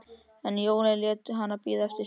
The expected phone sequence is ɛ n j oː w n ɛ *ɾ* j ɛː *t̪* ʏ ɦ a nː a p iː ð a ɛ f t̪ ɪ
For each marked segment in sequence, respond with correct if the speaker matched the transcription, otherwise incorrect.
incorrect: l, correct

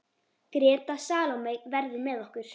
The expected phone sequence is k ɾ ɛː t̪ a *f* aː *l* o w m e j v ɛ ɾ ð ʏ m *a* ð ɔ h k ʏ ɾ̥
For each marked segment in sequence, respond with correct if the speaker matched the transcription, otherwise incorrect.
incorrect: s, correct, incorrect: ɛ

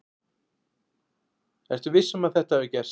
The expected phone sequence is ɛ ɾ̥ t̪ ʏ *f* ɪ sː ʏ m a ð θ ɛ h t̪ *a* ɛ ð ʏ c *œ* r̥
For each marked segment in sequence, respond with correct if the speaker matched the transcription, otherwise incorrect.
incorrect: v, correct, incorrect: ɛ

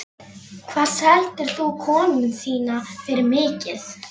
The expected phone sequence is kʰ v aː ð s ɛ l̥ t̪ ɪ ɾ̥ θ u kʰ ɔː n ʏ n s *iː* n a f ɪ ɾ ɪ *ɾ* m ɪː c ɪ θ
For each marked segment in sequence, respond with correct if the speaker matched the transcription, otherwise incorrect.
correct, correct

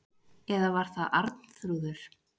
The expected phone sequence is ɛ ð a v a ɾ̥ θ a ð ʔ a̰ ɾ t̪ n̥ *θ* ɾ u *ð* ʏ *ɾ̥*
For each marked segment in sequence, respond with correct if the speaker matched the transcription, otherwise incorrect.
correct, correct, correct

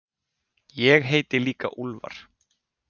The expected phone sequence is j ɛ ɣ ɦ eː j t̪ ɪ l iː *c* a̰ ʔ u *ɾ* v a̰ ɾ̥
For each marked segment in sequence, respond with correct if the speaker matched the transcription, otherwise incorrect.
incorrect: k, incorrect: l

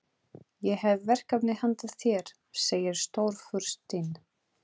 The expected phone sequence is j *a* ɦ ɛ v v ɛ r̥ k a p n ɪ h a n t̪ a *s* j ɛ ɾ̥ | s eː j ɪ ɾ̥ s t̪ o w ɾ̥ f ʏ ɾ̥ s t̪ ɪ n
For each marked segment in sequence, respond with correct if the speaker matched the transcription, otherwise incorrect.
incorrect: ɛ, incorrect: θ

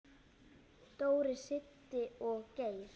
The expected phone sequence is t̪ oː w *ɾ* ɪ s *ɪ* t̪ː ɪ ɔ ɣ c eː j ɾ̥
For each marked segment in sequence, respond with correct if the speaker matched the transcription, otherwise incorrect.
correct, correct

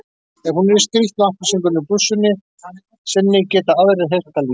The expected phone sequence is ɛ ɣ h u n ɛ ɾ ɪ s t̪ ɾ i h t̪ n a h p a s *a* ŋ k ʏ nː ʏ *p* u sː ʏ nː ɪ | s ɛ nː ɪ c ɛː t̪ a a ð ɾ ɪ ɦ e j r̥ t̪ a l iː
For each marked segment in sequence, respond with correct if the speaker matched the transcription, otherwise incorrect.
incorrect: i, correct

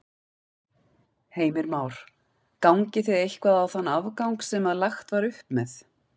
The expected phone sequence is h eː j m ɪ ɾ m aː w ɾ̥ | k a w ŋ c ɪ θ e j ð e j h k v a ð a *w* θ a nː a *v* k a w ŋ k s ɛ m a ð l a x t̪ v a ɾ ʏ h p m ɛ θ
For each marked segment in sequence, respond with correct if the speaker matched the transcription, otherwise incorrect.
correct, correct

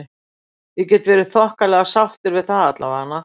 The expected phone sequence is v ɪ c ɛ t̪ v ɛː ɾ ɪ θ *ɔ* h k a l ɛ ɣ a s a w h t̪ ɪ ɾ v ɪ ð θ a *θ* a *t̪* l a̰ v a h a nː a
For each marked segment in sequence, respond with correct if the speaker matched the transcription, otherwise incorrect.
correct, incorrect: ð, correct

